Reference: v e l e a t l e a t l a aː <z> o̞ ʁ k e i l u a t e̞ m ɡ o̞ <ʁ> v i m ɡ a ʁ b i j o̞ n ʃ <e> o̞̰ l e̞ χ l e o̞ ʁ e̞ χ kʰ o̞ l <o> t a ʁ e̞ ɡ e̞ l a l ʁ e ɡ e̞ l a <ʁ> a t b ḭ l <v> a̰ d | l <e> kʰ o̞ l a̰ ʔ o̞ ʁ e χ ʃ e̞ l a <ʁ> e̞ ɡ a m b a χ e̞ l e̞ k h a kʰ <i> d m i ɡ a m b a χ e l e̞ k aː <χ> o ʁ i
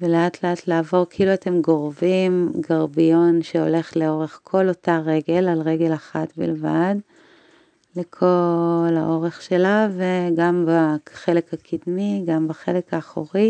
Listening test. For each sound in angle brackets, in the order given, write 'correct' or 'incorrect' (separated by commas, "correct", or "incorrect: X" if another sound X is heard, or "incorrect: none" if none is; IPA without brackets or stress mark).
incorrect: v, correct, correct, correct, incorrect: χ, correct, correct, incorrect: v, correct, correct